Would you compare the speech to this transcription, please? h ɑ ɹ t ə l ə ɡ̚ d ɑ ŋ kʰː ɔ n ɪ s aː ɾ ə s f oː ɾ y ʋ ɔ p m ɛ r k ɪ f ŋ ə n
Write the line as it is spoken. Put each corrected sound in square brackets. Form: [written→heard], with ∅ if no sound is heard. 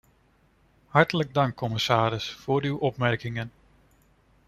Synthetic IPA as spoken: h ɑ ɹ t ə l ə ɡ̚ d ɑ ŋ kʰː ɔ [n→m] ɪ s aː ɾ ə s f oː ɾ y [ʋ→w] ɔ p m ɛ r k ɪ [f→∅] ŋ ə n